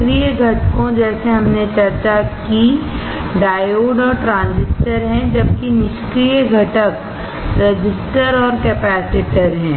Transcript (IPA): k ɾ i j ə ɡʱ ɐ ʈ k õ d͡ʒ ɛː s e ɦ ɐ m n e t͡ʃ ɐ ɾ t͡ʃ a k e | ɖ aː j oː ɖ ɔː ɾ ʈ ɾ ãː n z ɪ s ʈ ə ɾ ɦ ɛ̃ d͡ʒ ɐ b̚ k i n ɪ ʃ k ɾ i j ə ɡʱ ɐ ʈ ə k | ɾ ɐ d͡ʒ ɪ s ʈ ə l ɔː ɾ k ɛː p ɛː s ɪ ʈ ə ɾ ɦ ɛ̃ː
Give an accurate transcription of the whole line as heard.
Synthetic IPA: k ɾ i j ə ɡʱ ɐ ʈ k õ d͡ʒ ɛː s e ɦ ɐ m n e t͡ʃ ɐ ɾ t͡ʃ a k i | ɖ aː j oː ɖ ɔː ɾ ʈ ɾ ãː n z ɪ s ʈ ə ɾ ɦ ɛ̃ d͡ʒ ɐ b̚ k i n ɪ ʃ k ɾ i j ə ɡʱ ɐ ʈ ə k | ɾ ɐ d͡ʒ ɪ s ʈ ə ɾ ɔː ɾ k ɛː p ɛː s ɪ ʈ ə ɾ ɦ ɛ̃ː